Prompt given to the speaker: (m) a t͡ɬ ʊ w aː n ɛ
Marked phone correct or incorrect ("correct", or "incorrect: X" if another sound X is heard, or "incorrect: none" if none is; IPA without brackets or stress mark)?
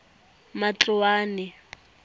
correct